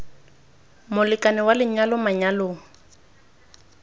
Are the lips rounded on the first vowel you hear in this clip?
yes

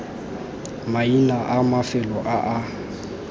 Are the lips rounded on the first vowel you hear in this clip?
no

